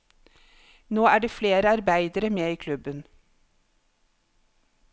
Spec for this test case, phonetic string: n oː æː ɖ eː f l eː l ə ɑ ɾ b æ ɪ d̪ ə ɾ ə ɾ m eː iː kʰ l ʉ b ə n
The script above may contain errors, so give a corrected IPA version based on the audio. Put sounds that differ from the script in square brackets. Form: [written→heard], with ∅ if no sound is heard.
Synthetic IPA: n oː æː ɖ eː f l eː [l→ɾ] ə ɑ ɾ b æ ɪ d̪ ə ɾ ə [ɾ→∅] m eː iː kʰ l ʉ b ə n